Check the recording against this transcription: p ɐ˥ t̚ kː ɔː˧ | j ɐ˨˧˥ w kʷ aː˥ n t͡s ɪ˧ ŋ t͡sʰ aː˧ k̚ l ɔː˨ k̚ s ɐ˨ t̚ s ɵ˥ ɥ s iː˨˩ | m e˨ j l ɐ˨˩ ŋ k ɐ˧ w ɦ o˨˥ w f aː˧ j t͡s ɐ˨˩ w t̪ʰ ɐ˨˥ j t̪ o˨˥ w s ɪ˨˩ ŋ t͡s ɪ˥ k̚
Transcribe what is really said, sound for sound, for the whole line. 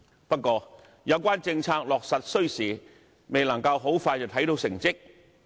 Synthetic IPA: p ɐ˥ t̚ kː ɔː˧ | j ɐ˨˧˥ w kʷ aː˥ n t͡s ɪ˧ ŋ t͡sʰ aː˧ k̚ l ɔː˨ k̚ s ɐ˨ t̚ s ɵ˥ ɥ s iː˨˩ | m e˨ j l ɐ˨˩ ŋ k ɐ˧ w ɦ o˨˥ w f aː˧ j t͡s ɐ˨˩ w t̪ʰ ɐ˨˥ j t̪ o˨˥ w s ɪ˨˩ ŋ t͡s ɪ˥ k̚

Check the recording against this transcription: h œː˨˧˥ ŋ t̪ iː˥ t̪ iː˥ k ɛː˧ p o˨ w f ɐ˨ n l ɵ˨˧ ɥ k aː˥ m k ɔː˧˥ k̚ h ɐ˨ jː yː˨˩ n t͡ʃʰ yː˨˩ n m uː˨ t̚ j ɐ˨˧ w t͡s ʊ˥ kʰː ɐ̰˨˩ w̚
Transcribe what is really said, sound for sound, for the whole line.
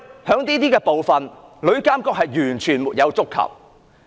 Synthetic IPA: h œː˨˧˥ ŋ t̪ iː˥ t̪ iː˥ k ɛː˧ p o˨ w f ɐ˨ n l ɵ˨˧ ɥ k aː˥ m k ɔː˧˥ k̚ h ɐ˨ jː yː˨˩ n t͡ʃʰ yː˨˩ n m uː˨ t̚ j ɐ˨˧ w t͡s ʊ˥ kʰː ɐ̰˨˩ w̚

